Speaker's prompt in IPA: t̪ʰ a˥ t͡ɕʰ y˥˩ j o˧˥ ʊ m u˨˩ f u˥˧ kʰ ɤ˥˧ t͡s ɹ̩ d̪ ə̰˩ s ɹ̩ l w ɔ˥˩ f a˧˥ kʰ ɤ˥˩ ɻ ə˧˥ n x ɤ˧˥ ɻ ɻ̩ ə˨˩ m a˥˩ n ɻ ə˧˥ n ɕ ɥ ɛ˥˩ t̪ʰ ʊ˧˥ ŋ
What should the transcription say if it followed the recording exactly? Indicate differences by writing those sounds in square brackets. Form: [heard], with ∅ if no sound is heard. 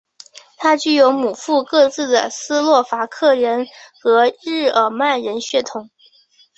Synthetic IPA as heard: t̪ʰ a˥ [t͡ɕ] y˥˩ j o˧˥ ʊ m u˨˩ f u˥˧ [k] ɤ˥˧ t͡s ɹ̩ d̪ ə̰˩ s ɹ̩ l w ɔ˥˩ f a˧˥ kʰ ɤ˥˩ ɻ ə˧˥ n x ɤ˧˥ ɻ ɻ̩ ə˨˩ m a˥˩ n ɻ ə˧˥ n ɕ ɥ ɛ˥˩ t̪ʰ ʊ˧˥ ŋ